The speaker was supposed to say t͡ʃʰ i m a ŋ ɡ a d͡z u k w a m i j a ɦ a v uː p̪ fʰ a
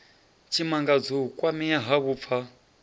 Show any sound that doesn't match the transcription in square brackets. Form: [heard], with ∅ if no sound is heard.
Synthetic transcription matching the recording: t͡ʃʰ i m a ŋ ɡ a d͡z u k w a m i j a ɦ a [β] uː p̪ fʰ a

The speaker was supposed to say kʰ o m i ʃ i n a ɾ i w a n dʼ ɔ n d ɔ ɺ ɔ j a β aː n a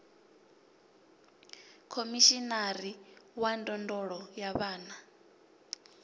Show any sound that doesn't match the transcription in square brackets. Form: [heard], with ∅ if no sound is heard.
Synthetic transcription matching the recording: kʰ o m i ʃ i n a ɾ i w a n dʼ ɔ n d ɔ ɺ ɔ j a β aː n a

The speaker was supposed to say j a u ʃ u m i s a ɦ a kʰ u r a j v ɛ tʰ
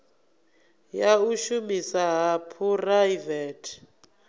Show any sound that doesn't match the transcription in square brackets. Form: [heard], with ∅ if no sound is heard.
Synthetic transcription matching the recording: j a u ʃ u m i s a ɦ a [pʰ] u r a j v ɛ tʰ

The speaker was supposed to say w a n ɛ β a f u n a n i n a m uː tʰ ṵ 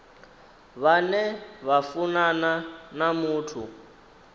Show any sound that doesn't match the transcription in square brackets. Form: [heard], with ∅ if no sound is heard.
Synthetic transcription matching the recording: [β] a n ɛ β a f u n a n [a] n a m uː tʰ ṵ

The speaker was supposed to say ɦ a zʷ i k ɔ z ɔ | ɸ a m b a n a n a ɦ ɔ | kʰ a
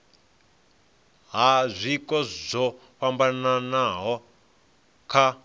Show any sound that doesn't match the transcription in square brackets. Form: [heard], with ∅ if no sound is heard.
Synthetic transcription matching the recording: ɦ a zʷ i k ɔ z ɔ | ɸ a m b a n a n a ɦ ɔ | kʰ a

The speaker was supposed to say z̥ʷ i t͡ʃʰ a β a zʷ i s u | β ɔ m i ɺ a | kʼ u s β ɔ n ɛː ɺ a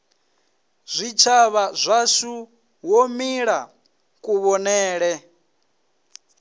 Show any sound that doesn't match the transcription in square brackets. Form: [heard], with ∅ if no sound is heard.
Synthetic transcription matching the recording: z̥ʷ i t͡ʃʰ a β a zʷ [a] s u | [w] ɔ m i ɺ a | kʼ u [∅] β ɔ n ɛː ɺ [ɛ]

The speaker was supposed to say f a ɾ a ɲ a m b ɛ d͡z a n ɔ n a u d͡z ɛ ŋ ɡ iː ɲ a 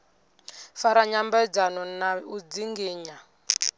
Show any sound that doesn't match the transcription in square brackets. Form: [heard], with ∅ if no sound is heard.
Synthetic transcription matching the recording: f a ɾ a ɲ a m b ɛ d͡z a n ɔ n a u d͡z [i] ŋ ɡ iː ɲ a

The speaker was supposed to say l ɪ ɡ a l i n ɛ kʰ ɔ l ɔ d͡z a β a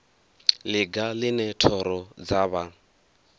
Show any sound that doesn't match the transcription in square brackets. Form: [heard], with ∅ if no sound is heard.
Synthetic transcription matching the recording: l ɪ ɡ a l [ɪ] n ɛ [tʰ] ɔ [ɾ] ɔ d͡z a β a

